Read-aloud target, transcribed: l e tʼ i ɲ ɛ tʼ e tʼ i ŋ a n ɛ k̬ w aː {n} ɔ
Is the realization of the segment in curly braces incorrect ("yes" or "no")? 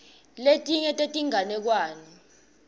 no